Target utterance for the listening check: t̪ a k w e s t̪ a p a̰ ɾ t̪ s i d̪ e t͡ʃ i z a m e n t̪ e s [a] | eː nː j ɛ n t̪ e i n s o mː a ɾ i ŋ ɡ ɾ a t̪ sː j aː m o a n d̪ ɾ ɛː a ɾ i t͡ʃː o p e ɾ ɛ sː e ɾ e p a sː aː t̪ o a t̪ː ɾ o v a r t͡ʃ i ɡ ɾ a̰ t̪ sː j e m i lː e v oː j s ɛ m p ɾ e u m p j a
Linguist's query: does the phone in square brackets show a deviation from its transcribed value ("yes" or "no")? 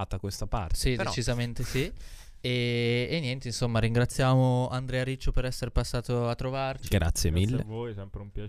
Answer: yes